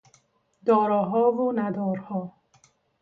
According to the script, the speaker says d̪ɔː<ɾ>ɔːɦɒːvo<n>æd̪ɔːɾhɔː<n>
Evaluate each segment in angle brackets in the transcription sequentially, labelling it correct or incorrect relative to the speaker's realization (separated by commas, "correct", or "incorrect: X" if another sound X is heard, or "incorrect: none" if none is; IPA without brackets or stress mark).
correct, correct, incorrect: none